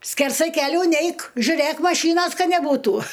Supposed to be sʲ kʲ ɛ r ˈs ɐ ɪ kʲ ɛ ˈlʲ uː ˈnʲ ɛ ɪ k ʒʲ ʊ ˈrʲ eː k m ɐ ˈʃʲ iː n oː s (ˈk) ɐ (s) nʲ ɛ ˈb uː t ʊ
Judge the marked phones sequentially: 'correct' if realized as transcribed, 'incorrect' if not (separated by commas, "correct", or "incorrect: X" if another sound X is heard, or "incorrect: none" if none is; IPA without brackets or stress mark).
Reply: correct, incorrect: none